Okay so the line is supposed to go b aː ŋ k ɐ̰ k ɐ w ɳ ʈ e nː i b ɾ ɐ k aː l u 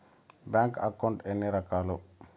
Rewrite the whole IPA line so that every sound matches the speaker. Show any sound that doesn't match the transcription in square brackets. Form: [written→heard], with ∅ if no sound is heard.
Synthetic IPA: b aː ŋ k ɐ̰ k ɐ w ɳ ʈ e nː i [b→∅] ɾ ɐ k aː l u

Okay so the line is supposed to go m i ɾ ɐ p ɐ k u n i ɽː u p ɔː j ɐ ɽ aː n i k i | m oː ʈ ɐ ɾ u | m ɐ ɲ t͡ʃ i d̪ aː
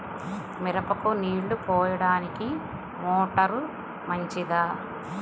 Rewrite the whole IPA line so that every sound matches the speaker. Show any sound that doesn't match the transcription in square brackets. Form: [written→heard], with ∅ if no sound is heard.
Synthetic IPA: m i ɾ ɐ p ɐ k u n [i→iː] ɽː u p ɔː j ɐ ɽ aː n i k i | m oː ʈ ɐ ɾ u | m ɐ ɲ t͡ʃ i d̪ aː

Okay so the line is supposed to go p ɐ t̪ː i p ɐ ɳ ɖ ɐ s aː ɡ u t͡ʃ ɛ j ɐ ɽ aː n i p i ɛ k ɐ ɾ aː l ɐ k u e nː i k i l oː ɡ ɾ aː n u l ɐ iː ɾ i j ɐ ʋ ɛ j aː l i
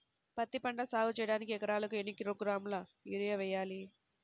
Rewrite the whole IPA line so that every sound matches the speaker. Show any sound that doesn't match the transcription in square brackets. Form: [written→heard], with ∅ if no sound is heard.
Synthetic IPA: p ɐ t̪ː i p ɐ ɳ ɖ ɐ s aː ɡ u t͡ʃ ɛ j ɐ ɽ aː n i [p→k] i ɛ k ɐ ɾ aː l ɐ k u e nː i k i [l→ɾ] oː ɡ ɾ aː [n→m] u l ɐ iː ɾ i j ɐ ʋ ɛ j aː l i

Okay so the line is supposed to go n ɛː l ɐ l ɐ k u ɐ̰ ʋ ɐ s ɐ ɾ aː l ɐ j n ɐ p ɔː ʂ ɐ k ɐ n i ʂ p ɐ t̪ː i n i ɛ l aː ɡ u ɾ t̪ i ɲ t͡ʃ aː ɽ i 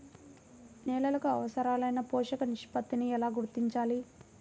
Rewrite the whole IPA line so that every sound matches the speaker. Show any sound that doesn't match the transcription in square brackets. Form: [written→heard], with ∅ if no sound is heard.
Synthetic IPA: n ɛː l ɐ l ɐ k u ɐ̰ ʋ ɐ s ɐ ɾ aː l ɐ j n ɐ p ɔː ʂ ɐ k ɐ n i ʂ p ɐ t̪ː i n i ɛ l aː ɡ u ɾ t̪ i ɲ t͡ʃ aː [ɽ→l] i

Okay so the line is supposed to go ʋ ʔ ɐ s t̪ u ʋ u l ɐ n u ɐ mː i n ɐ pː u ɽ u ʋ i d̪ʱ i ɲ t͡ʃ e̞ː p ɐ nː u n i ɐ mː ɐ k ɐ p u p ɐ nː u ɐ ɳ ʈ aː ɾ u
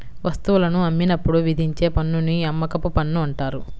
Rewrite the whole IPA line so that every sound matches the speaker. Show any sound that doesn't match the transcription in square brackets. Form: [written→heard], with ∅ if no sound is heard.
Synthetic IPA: ʋ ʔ ɐ s t̪ u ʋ u l ɐ n u ɐ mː i n ɐ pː u ɽ u ʋ i d̪ʱ i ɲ t͡ʃ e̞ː p ɐ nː u n i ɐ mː ɐ k ɐ p u p ɐ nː u ɐ ɳ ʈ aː ɾ u

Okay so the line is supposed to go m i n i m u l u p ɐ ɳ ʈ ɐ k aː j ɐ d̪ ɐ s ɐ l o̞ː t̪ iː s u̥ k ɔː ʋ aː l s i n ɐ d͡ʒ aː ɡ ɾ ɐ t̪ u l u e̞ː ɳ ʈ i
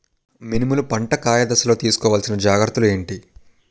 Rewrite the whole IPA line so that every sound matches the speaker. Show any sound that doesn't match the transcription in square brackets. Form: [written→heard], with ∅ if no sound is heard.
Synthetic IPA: m i n i m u l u p ɐ ɳ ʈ ɐ k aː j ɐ d̪ ɐ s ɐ l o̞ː t̪ iː s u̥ k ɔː ʋ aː l s i n ɐ d͡ʒ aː ɡ ɾ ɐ t̪ u l u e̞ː ɳ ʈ i

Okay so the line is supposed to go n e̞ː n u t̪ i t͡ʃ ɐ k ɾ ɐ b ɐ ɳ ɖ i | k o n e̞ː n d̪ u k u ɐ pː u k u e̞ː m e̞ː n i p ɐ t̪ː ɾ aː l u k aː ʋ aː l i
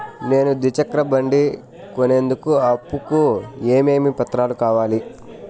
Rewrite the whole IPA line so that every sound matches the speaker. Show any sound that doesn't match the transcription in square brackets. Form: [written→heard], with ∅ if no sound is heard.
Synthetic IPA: n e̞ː n u [t̪→d̪] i t͡ʃ ɐ k ɾ ɐ b ɐ ɳ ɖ i | k o n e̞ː n d̪ u k u ɐ pː u k u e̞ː m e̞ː [n→m] i p ɐ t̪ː ɾ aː l u k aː ʋ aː l i

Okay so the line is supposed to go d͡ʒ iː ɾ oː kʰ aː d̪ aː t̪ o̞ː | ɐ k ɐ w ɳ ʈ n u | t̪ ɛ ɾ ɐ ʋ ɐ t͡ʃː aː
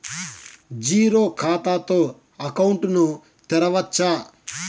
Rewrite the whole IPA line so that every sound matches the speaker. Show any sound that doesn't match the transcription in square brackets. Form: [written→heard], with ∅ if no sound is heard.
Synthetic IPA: d͡ʒ iː ɾ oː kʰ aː [d̪→t̪] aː t̪ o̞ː | ɐ k ɐ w ɳ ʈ n u | t̪ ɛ ɾ ɐ ʋ ɐ t͡ʃː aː

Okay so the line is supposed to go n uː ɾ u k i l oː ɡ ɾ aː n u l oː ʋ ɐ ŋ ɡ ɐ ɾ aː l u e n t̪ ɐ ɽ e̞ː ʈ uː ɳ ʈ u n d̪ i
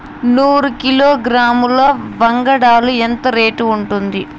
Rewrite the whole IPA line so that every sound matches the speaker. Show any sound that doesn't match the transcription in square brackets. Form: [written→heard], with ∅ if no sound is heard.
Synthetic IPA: n uː ɾ u k i l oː ɡ ɾ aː [n→m] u l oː ʋ ɐ ŋ ɡ ɐ [ɾ→ɽ] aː l u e n t̪ ɐ [ɽ→ɾ] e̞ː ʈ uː ɳ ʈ u n d̪ i

